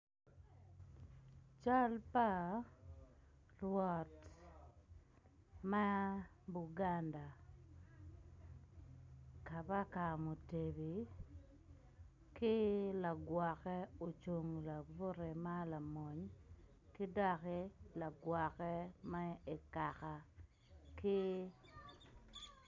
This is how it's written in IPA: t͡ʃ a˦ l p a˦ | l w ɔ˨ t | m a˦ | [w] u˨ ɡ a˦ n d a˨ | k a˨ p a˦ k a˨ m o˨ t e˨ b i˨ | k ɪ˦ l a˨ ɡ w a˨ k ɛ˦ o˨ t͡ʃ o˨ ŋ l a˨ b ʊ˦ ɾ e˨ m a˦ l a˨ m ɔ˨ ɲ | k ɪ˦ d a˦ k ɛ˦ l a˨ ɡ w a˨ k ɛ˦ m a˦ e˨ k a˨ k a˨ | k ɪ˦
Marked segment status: incorrect: b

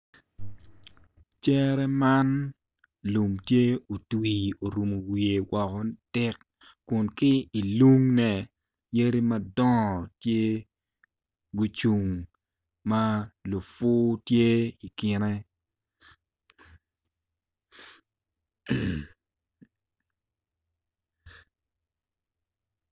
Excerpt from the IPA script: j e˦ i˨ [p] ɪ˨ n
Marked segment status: incorrect: k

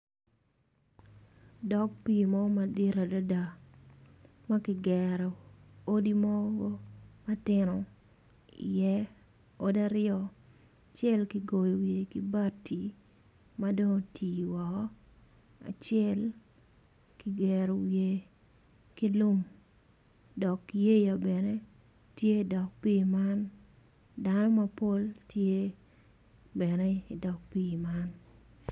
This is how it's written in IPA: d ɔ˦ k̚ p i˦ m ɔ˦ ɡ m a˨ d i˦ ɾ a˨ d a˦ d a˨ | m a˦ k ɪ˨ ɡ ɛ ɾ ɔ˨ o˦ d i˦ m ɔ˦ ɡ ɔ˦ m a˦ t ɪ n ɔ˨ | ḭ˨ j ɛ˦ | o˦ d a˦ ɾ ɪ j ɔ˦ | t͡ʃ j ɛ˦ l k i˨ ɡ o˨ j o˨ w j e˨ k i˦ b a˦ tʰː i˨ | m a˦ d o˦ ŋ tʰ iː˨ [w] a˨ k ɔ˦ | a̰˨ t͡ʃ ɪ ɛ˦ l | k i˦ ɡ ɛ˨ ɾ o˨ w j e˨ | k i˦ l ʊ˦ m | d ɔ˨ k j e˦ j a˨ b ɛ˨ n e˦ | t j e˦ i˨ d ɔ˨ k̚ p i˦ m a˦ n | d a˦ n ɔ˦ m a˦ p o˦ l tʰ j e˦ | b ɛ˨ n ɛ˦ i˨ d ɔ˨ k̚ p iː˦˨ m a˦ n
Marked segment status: correct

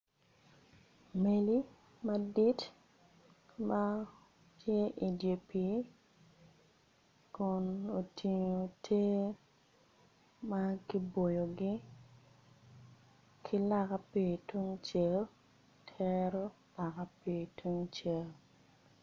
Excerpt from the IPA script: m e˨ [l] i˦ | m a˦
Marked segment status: correct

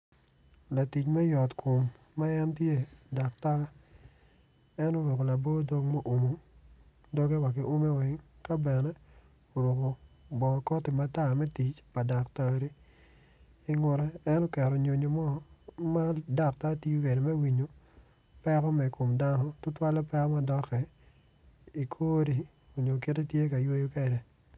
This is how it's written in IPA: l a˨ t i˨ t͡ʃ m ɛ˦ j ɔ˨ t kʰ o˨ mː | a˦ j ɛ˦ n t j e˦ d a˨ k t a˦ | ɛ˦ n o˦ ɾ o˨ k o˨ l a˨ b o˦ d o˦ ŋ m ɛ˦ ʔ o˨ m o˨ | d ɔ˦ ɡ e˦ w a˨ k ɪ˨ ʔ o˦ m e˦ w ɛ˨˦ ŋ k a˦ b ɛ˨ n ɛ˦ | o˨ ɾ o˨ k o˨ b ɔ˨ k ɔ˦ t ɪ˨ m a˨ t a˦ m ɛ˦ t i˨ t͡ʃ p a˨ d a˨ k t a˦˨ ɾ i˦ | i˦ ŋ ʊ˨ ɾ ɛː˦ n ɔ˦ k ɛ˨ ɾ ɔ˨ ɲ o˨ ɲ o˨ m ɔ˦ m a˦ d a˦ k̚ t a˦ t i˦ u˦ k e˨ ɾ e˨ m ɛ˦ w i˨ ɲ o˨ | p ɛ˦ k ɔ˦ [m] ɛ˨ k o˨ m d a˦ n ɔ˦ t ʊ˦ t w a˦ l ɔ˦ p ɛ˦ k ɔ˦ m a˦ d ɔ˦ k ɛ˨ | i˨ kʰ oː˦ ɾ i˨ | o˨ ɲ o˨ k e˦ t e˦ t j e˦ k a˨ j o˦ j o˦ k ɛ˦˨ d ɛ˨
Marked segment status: correct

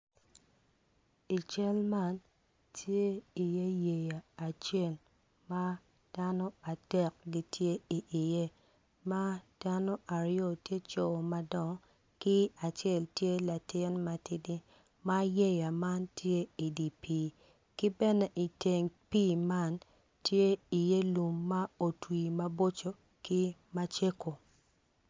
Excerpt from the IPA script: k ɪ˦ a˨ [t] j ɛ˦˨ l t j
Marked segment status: incorrect: t͡ʃ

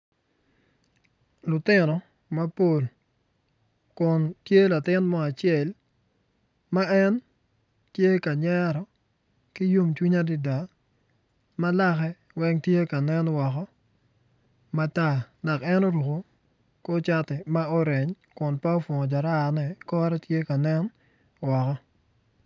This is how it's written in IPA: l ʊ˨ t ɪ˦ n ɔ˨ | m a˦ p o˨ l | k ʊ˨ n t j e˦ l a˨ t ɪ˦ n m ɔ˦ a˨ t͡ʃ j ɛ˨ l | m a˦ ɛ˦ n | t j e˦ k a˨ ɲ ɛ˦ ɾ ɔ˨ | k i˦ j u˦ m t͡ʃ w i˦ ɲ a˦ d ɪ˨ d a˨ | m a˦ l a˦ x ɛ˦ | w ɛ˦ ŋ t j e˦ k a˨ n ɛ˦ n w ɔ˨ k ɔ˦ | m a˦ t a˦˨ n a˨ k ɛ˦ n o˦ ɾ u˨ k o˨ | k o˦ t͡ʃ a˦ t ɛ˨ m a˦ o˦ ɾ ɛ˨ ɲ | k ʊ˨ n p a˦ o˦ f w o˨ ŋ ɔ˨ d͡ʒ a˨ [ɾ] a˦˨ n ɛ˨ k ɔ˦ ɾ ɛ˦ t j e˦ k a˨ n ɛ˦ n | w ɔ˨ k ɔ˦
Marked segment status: correct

